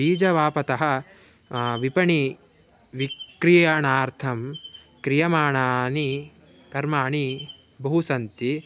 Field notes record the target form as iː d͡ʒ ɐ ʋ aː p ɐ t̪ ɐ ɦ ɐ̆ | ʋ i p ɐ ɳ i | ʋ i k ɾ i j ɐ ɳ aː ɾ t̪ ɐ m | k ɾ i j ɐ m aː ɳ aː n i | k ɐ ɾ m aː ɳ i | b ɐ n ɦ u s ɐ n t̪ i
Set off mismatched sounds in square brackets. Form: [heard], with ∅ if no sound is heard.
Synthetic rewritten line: iː d͡ʒ ɐ ʋ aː p ɐ t̪ ɐ ɦ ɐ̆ | ʋ i p ɐ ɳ i | ʋ i k ɾ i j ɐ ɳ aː ɾ [t̪ʰ] ɐ m | k ɾ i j ɐ m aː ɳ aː n i | k ɐ ɾ m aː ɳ i | b ɐ [∅] ɦ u s ɐ n t̪ i